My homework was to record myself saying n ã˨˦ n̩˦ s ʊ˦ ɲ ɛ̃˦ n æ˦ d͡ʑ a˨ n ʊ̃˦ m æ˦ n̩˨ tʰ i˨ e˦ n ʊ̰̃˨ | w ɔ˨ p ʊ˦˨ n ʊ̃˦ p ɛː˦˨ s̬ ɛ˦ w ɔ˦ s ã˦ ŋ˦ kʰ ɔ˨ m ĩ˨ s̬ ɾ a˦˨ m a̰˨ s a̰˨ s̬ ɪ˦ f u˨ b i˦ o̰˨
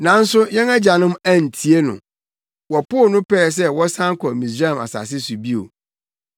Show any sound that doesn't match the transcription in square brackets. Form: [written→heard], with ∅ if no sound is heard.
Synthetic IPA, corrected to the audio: n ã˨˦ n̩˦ s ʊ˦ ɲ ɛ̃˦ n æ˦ d͡ʑ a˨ n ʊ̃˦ m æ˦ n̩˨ tʰ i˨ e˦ n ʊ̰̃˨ | w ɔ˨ p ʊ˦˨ n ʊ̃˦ p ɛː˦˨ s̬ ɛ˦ w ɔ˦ s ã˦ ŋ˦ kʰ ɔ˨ m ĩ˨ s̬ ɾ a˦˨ m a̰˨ s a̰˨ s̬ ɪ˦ [f→s] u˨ b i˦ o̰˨